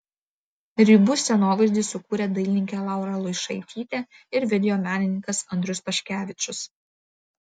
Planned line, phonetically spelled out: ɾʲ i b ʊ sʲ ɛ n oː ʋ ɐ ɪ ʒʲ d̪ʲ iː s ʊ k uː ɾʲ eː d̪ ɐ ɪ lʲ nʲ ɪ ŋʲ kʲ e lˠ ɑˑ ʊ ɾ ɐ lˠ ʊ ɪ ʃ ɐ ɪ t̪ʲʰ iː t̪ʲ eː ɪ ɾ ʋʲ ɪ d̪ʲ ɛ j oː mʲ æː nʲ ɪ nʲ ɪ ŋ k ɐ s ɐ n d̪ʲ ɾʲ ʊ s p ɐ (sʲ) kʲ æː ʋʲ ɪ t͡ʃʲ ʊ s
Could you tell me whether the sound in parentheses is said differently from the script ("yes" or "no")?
yes